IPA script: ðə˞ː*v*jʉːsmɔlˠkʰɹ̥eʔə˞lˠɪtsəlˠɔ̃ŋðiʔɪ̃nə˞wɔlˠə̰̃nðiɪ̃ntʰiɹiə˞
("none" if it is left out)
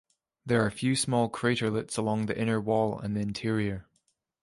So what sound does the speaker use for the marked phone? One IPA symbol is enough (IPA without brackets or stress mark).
f